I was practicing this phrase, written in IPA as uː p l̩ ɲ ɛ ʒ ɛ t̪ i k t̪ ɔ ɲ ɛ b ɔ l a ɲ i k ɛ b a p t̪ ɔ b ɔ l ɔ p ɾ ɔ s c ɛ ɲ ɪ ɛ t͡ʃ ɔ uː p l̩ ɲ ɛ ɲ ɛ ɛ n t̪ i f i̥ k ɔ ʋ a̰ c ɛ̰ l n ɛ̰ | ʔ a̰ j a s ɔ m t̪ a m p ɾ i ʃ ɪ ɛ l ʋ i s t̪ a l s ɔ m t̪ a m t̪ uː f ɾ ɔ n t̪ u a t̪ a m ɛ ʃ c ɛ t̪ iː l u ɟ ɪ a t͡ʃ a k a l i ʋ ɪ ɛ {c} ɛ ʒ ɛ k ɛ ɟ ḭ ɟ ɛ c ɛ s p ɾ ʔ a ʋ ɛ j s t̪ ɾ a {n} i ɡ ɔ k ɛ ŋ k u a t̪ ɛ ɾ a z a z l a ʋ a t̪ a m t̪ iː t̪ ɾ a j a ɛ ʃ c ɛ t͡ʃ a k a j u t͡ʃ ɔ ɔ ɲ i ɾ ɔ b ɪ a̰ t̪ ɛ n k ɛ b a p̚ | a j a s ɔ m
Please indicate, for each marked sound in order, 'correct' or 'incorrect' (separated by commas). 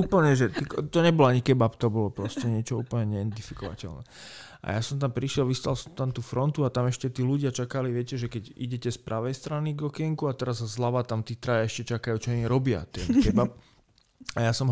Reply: correct, correct